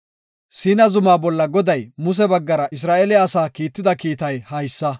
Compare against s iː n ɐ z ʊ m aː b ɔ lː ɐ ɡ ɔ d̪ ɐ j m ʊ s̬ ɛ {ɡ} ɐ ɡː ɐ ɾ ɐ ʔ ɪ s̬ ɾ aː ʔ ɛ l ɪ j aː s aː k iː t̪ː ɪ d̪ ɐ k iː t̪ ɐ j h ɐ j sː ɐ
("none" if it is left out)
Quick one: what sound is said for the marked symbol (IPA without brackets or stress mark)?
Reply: b